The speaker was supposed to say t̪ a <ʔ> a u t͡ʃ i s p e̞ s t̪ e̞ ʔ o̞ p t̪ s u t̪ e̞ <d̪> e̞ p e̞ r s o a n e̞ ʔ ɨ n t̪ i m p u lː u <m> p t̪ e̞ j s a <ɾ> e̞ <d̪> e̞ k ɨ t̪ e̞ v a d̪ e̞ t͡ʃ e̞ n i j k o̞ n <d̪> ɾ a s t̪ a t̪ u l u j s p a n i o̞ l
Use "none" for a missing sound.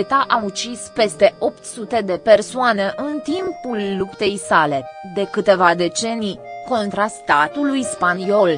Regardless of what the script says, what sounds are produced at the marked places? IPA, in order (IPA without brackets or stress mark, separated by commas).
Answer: ʔ, d̪, none, l, d̪, t̪